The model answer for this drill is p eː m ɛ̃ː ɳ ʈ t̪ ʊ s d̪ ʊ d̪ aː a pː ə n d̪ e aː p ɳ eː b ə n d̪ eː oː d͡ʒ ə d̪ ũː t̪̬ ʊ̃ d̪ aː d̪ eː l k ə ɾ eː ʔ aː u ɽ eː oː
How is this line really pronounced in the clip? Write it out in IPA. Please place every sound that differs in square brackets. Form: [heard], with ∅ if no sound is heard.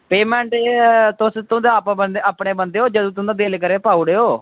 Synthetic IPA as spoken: p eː m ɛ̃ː ɳ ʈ t̪ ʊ s [t̪] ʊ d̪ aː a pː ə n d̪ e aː p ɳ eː b ə n d̪ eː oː d͡ʒ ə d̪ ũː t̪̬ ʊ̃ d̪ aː d̪ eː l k ə ɾ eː [p] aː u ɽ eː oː